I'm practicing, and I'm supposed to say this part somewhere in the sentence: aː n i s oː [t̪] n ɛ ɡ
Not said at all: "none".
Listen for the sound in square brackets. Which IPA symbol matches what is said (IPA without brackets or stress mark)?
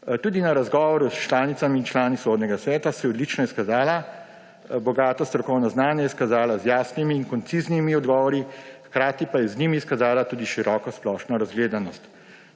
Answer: d̪